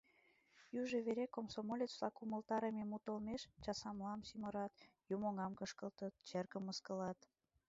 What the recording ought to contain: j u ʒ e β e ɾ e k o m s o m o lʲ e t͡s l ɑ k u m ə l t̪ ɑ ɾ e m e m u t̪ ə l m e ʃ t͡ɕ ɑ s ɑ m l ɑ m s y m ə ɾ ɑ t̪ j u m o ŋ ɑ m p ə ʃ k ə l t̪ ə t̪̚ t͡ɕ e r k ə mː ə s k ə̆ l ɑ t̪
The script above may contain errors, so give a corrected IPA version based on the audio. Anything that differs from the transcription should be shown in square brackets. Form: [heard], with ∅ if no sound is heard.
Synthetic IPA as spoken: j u ʒ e β e ɾ e k o m s o m o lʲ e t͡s l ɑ k u m ə l t̪ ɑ ɾ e m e m u t̪ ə l m e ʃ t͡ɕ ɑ s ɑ m l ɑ m s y m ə ɾ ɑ t̪ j u m o ŋ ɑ m [k] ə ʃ k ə l t̪ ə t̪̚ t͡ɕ e r k ə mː ə s k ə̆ l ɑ t̪